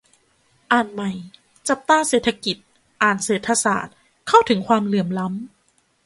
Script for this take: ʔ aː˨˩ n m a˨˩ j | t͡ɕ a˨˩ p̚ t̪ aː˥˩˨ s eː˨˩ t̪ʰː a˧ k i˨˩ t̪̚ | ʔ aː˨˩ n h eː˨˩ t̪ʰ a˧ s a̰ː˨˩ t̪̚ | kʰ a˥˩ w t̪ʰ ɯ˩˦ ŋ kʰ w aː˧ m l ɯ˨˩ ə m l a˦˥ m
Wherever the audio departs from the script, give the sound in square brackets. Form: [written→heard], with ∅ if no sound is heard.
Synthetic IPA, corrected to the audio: ʔ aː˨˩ n m a˨˩ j | t͡ɕ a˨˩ p̚ t̪ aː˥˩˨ s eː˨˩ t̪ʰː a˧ k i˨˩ t̪̚ | ʔ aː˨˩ n [h→s] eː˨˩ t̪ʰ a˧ s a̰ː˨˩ t̪̚ | kʰ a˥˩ w t̪ʰ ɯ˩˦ ŋ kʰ w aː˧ m l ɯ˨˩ ə m l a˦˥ m